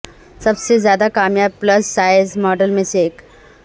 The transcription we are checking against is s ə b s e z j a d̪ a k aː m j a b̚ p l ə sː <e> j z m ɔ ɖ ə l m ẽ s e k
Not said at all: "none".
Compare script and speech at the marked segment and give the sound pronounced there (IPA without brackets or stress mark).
a